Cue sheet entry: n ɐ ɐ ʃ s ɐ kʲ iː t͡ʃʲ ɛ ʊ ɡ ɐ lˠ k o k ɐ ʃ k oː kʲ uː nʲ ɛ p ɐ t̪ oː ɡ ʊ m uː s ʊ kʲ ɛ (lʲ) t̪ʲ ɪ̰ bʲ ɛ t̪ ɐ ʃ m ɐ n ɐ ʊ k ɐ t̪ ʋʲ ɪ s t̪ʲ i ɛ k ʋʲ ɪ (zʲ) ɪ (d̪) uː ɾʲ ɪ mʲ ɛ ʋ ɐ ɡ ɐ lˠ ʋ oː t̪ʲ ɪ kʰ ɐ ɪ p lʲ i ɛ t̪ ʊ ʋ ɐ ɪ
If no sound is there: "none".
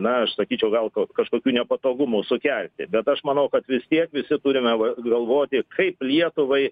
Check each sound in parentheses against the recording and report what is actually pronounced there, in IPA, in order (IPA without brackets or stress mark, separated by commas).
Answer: lʲ, sʲ, t̪